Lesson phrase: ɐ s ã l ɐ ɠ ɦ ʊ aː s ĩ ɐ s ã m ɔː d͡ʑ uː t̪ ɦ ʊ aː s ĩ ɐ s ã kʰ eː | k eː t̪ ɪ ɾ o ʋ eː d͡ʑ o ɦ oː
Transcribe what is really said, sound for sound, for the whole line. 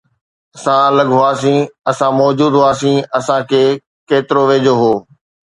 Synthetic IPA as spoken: ɐ s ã l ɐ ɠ ɦ ʊ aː s ĩ ɐ s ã m ɔː d͡ʑ uː d̪ ɦ ʊ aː s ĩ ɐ s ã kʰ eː | k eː t̪ ɪ ɾ o ʋ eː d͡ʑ o ɦ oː

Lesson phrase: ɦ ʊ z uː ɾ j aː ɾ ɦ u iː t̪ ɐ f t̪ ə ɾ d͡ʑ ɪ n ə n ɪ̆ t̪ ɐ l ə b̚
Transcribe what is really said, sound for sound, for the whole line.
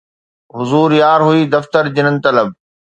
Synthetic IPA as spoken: ɦ ʊ z uː ɾ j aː ɾ ɦ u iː d̪ ɐ f t̪ ə ɾ d͡ʑ ɪ n ə n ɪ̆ t̪ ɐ l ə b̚

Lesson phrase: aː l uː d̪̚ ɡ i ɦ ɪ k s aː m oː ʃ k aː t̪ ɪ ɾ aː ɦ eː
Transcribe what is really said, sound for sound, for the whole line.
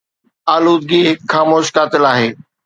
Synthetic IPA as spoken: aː l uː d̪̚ ɡ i ɦ ɪ k x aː m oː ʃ k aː t̪ ɪ l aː ɦ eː

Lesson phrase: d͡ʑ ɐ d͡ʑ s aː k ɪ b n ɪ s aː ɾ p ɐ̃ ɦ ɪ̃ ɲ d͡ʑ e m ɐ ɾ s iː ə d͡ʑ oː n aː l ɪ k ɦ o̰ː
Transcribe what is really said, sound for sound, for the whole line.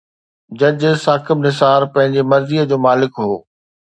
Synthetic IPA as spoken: d͡ʑ ɐ d͡ʑ s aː k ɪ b n ɪ s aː ɾ p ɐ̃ ɦ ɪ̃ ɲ d͡ʑ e m ɐ ɾ z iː ə d͡ʑ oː m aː l ɪ k ɦ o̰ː

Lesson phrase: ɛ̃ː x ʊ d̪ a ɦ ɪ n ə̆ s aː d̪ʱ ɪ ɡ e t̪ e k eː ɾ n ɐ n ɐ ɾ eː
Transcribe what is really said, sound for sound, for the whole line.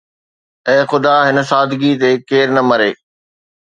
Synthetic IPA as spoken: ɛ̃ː x ʊ d̪ a ɦ ɪ n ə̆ s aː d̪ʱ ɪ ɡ i t̪ e k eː ɾ n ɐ m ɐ ɾ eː

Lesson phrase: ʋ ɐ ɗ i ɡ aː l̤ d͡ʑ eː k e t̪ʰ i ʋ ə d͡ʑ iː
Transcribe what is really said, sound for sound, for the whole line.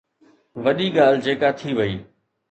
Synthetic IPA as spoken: ʋ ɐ ɗ i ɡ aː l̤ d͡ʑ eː k a t̪ʰ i ʋ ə iː

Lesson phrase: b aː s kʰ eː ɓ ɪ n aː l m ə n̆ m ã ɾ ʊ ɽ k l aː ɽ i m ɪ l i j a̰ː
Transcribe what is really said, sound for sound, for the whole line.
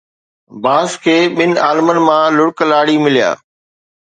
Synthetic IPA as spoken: b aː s kʰ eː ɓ ɪ n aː l m ə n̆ m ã l ʊ ɽ k l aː ɽ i m ɪ l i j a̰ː

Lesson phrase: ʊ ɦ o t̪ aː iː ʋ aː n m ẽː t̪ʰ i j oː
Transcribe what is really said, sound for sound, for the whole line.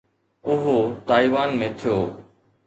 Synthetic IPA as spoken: ʊ ɦ o t̪ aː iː ʋ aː n m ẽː t̪ʰ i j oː

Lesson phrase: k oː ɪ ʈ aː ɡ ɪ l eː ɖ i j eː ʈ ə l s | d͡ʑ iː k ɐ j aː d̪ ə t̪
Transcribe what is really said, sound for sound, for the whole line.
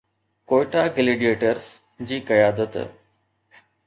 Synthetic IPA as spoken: k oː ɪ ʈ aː ɡ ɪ l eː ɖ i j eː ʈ ə ɾ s | d͡ʑ iː k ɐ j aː d̪ ə t̪

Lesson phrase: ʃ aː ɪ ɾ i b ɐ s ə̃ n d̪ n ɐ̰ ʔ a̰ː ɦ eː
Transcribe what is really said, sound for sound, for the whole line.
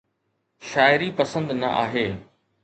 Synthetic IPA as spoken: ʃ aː ɪ ɾ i p ɐ s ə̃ n d̪ n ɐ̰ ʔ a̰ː ɦ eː

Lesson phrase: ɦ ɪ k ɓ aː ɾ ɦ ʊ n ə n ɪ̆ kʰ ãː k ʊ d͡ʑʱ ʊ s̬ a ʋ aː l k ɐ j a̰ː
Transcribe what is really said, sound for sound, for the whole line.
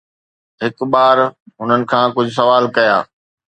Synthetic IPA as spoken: ɦ ɪ k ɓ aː ɾ ɦ ʊ n ə n ɪ̆ kʰ ãː k ʊ d͡ʑʱ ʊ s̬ ɐ ʋ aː l k ɐ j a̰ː

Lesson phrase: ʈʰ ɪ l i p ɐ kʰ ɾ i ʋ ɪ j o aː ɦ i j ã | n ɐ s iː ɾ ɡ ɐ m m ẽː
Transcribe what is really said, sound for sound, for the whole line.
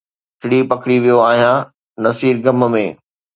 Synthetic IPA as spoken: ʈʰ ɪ ɽ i p ɐ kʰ ɽ i ʋ i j o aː ɦ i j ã | n ɐ s iː ɾ ɡ ɐ m m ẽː

